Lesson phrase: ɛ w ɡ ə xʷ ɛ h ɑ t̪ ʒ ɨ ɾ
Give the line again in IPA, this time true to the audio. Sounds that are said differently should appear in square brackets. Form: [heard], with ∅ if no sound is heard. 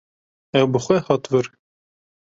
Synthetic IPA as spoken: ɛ w [b] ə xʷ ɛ h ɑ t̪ [v] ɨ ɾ